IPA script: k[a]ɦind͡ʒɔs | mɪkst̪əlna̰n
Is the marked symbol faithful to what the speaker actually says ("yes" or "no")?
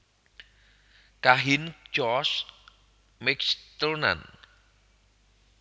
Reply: yes